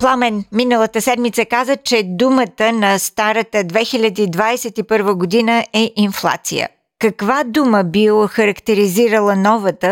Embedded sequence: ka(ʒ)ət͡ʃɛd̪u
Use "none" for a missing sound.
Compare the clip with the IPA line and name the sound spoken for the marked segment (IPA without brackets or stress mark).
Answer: z